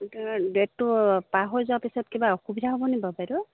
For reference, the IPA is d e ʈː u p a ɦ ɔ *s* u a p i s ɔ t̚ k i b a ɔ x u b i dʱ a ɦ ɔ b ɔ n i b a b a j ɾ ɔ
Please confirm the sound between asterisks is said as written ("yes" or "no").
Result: no